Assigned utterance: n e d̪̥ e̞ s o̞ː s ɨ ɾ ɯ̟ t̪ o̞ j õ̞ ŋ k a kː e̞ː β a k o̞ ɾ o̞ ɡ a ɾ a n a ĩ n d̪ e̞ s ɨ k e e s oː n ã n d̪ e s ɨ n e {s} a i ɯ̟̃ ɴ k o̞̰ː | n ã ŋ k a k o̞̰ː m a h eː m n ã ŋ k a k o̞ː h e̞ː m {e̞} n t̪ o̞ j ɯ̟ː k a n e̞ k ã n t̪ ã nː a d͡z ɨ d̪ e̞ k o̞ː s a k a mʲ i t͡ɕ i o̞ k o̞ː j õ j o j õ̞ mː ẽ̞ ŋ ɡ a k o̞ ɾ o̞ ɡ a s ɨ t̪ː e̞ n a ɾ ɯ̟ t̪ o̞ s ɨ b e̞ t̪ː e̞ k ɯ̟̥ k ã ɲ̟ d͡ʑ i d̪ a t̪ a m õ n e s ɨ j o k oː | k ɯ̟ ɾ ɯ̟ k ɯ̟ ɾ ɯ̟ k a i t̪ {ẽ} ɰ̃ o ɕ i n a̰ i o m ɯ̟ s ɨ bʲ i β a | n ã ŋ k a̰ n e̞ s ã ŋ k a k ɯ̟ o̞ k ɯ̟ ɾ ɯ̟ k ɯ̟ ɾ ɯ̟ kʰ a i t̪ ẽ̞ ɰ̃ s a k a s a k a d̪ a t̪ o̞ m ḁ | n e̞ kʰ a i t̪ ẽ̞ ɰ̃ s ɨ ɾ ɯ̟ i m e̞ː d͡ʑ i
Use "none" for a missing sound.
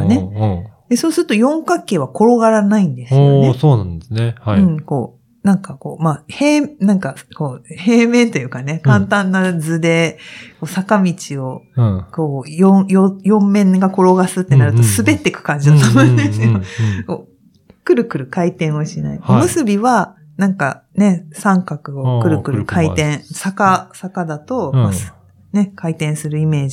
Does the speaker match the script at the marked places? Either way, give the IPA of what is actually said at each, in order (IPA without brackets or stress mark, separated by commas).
h, ẽ̞, ẽ